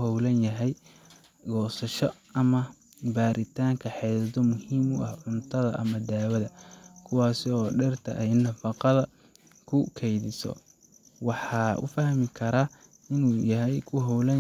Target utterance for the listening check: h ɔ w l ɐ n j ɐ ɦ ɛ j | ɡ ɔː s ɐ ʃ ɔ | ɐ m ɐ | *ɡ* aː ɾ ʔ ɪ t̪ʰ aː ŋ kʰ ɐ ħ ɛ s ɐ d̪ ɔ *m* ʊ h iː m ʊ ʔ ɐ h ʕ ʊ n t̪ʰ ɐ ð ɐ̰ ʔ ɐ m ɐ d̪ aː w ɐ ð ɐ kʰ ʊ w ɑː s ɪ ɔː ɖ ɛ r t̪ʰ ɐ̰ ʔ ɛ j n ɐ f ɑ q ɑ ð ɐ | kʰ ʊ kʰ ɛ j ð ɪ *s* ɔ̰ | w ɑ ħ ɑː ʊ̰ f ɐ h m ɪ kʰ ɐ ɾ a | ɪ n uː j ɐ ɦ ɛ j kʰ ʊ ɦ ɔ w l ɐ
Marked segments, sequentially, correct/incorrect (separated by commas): incorrect, correct, correct